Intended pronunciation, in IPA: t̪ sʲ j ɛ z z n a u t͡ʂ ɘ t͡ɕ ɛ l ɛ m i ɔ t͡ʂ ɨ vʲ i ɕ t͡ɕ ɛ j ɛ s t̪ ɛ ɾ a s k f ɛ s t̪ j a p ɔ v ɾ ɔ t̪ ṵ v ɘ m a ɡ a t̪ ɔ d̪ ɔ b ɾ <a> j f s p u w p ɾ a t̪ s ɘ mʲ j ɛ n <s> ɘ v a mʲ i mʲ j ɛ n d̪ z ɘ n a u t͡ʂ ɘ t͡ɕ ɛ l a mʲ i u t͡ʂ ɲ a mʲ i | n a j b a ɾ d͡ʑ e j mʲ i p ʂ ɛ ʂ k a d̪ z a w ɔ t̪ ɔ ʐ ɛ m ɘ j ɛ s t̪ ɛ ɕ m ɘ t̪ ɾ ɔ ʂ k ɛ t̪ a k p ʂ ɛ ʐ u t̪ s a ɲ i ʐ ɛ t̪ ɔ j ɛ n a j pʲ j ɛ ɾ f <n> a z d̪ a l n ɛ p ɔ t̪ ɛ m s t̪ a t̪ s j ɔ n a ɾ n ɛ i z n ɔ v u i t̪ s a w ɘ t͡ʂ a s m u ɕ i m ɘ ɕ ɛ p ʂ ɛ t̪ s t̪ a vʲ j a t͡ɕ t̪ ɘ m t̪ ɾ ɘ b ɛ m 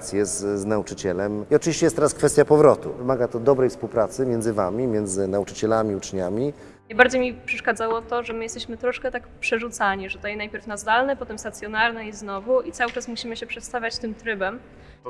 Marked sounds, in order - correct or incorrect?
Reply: incorrect: ɛ, incorrect: z, correct

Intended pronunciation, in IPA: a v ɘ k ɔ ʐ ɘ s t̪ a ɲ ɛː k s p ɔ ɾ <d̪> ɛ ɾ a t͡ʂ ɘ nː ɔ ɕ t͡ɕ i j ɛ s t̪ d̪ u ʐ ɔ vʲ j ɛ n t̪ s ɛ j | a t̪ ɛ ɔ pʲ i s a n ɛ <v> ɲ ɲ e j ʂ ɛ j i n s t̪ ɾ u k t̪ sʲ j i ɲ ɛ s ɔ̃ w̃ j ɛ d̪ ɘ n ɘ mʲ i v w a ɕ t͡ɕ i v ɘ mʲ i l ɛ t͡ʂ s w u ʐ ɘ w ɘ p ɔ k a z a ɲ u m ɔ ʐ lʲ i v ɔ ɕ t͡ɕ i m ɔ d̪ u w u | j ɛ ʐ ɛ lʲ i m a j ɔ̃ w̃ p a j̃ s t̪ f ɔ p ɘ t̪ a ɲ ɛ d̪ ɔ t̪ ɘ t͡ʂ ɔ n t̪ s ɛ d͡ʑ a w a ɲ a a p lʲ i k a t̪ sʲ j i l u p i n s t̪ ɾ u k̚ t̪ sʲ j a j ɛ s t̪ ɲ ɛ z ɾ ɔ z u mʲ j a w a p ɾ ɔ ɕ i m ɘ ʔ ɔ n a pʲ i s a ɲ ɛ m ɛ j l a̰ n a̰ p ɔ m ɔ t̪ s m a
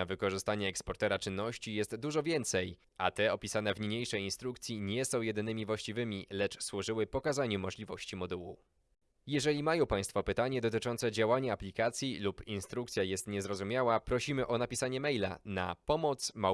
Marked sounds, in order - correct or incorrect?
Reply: incorrect: t̪, correct

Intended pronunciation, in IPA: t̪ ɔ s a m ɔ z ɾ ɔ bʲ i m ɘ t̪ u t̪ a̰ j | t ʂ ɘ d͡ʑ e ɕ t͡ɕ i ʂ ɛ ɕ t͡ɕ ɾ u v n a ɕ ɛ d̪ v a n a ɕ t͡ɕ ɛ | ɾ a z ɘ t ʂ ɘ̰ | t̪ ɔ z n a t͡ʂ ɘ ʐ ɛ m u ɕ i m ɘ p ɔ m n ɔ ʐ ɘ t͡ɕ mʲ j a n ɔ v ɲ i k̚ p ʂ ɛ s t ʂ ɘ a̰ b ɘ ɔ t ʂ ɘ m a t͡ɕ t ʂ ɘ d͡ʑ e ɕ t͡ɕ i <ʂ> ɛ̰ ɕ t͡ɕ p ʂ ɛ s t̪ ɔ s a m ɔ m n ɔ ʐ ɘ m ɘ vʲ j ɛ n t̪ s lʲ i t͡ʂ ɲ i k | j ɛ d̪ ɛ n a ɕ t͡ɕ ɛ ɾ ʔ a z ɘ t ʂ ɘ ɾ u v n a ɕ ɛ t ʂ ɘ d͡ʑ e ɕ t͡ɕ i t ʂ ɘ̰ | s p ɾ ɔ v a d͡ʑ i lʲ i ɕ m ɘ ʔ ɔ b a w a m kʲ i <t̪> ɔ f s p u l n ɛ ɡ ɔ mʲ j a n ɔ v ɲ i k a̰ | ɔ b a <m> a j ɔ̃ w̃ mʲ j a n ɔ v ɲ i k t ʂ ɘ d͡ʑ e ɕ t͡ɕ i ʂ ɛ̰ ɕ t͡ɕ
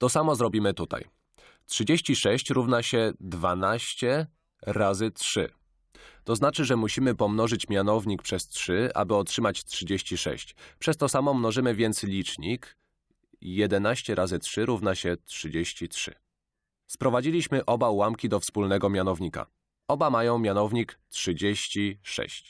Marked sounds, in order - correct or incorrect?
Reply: correct, incorrect: d̪, correct

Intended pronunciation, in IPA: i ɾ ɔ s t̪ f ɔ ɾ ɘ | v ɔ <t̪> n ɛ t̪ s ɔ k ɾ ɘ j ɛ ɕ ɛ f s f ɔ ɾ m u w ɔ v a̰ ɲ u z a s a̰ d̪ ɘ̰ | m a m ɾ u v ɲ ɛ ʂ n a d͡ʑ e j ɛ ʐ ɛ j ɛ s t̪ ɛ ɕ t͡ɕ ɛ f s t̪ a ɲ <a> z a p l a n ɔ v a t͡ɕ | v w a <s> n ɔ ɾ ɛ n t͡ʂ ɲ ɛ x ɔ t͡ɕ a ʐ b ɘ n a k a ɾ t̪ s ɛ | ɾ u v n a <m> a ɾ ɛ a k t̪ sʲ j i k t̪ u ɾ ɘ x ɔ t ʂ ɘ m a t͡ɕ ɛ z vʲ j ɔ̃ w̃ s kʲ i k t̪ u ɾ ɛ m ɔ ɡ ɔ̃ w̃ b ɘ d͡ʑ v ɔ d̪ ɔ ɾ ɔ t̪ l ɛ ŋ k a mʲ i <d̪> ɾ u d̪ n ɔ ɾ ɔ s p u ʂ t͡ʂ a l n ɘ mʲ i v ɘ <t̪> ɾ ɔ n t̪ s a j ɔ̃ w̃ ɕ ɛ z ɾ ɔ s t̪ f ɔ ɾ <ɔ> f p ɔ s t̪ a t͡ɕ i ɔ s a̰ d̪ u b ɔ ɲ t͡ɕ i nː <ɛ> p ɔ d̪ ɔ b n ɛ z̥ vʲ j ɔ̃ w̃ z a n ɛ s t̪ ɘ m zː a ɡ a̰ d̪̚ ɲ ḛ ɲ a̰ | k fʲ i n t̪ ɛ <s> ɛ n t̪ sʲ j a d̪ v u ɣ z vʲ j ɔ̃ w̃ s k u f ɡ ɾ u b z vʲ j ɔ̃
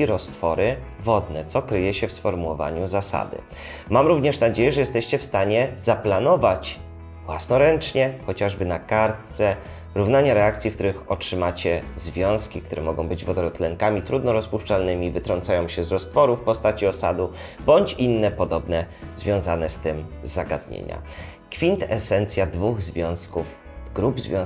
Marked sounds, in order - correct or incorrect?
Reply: incorrect: d̪, incorrect: ɛ, correct, incorrect: ɲ, incorrect: t̪, correct, incorrect: u, correct, correct

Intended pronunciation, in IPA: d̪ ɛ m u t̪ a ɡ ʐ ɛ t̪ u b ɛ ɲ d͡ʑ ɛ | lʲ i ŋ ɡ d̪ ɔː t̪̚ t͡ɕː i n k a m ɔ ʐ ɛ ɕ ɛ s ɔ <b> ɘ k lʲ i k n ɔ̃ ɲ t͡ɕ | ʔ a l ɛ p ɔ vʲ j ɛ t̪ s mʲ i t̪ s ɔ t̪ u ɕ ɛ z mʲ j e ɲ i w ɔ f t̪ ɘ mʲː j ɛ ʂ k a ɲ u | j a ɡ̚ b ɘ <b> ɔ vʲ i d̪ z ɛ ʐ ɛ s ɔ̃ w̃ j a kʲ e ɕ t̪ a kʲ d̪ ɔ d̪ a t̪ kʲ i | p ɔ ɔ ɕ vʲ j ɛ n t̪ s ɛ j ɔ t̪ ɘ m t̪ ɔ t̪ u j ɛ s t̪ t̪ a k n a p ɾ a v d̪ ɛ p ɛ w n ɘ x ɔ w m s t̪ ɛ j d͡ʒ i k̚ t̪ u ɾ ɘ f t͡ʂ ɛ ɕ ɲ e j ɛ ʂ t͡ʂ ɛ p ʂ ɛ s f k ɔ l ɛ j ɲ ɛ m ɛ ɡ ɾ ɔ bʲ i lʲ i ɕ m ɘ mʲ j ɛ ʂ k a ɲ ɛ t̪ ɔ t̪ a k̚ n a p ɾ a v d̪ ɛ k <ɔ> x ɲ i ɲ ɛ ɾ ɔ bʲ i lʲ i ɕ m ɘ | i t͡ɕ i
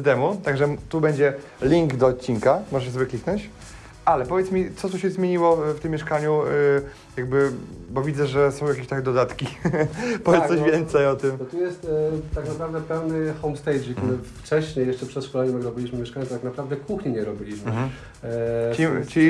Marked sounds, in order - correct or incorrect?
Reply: incorrect: v, correct, incorrect: u

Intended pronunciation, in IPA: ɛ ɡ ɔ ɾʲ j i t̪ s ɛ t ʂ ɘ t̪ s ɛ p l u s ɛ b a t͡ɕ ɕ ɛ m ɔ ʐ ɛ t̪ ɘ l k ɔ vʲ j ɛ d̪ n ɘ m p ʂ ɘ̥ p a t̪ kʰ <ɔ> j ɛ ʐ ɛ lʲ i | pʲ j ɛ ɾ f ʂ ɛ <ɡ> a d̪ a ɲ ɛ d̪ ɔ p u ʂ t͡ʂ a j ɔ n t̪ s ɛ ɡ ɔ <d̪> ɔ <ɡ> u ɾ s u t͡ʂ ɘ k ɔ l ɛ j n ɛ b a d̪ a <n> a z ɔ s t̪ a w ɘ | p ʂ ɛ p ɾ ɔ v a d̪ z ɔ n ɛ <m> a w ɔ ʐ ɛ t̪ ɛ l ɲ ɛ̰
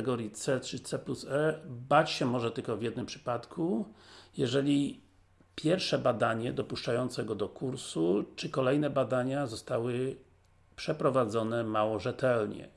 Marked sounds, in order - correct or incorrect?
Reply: incorrect: u, incorrect: b, correct, incorrect: k, incorrect: ɲ, correct

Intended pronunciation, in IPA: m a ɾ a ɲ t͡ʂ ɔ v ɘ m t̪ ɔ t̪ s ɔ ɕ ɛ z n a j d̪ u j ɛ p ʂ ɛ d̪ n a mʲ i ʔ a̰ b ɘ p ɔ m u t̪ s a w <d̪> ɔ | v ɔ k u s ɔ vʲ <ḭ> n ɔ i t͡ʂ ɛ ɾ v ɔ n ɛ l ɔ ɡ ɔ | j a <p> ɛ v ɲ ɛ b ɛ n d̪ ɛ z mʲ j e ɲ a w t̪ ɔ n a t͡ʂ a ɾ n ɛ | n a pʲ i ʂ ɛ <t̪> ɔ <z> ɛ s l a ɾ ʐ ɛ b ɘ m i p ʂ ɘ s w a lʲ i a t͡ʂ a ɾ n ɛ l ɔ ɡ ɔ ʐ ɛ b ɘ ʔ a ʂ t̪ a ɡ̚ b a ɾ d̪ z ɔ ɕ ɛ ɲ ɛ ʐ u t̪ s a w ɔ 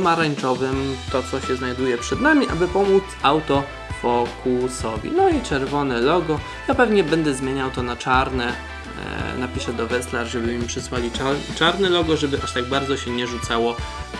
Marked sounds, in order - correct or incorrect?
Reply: incorrect: t̪, correct, correct, incorrect: d̪, incorrect: v

